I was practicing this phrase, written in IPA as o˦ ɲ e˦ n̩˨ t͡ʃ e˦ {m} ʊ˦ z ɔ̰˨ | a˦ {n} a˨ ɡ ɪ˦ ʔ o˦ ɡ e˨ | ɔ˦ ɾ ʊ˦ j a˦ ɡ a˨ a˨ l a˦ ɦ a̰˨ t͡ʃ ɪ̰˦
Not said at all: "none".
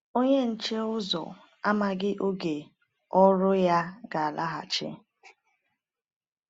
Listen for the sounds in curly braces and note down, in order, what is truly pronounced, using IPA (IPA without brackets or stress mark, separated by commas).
none, m